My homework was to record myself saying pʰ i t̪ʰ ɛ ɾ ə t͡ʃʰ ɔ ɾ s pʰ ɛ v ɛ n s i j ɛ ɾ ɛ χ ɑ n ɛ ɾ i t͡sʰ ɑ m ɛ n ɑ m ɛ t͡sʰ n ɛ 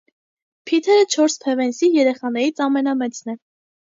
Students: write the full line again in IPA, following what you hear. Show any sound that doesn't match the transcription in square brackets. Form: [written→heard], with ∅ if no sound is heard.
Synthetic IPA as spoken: pʰ i t̪ʰ ɛ ɾ ə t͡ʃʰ ɔ ɾ s pʰ ɛ v ɛ n s i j ɛ ɾ ɛ χ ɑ n ɛ ɾ i t͡sʰ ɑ m ɛ n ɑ m ɛ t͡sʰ n ɛ